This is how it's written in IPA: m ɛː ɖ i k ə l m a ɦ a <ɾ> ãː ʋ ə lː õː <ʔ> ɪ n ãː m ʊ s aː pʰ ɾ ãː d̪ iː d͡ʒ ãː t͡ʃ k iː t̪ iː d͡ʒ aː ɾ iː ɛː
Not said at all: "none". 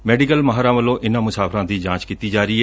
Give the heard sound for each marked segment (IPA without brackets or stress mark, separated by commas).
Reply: ɾ, ʔ